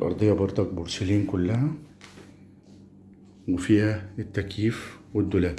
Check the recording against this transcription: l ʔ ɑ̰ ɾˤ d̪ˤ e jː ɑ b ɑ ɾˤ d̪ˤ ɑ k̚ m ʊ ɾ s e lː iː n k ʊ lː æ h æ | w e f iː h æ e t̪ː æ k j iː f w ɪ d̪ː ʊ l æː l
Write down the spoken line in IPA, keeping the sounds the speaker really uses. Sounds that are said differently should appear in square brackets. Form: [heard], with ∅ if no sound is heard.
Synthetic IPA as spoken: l ʔ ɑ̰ ɾˤ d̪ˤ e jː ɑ b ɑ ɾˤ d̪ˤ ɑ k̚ [b] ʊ ɾ s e [l] iː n k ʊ lː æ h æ | w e f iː h æ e t̪ː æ k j iː f w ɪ d̪ː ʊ l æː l